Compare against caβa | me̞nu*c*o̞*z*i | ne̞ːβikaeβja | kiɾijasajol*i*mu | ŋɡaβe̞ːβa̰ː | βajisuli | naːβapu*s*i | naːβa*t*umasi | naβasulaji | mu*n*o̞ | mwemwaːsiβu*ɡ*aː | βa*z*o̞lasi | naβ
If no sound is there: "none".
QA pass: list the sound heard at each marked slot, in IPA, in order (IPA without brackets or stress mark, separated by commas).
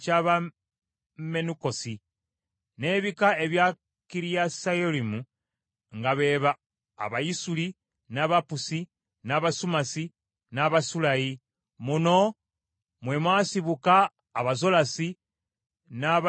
k, s, i, s, s, n, k, z